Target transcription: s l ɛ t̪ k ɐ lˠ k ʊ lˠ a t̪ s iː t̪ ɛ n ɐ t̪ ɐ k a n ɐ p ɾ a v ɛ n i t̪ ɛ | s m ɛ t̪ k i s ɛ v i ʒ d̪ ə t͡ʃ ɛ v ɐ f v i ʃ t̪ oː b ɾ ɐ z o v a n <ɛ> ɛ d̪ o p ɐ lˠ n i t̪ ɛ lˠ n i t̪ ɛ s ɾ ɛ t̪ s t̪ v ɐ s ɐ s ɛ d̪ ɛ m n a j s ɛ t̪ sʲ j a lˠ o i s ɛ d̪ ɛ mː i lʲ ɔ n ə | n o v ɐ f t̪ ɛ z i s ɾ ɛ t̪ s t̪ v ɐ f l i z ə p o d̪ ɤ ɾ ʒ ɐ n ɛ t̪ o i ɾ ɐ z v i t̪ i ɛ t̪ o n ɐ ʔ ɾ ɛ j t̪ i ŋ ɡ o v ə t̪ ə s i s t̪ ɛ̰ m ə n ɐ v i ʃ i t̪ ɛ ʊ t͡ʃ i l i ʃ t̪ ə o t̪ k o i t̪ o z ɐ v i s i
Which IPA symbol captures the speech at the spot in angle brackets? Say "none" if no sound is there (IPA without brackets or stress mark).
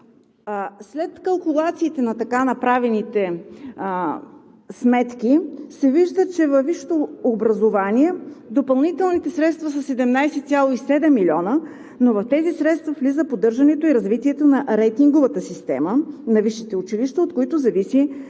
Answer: i